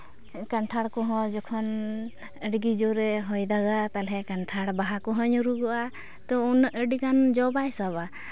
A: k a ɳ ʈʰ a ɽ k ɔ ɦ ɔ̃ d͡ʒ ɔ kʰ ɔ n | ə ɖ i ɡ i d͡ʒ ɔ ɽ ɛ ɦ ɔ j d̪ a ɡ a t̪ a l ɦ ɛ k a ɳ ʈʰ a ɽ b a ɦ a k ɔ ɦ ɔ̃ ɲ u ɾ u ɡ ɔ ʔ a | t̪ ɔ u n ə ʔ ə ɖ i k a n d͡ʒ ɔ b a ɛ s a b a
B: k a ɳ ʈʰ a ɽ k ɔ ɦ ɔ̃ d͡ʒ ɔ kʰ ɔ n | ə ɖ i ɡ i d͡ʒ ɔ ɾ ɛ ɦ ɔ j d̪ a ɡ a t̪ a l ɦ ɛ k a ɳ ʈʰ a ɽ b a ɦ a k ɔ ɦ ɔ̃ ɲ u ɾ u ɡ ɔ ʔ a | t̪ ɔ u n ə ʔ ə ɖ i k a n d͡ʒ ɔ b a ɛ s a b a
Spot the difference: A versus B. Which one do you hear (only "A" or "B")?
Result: B